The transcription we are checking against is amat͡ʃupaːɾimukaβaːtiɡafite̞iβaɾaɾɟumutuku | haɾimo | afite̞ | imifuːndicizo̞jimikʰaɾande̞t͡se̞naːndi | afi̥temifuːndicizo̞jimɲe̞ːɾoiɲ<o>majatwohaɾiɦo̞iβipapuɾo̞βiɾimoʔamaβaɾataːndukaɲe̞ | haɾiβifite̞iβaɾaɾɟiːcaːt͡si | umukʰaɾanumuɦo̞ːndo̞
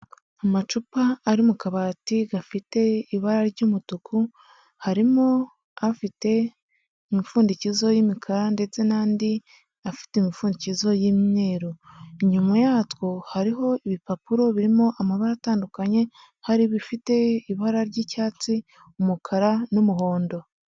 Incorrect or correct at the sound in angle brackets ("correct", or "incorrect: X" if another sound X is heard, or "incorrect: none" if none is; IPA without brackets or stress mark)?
incorrect: u